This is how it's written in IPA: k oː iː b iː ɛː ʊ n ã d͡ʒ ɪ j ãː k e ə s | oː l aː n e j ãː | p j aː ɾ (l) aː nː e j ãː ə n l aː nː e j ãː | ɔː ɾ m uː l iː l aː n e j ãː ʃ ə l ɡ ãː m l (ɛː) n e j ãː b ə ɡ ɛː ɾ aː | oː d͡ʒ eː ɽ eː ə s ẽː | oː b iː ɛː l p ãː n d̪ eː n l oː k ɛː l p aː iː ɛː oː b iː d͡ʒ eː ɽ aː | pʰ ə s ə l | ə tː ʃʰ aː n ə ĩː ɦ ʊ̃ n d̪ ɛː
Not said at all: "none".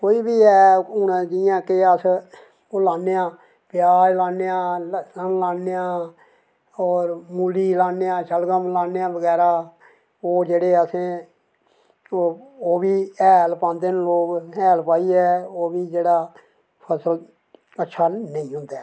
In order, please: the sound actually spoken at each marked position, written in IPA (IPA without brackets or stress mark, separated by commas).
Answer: l, aː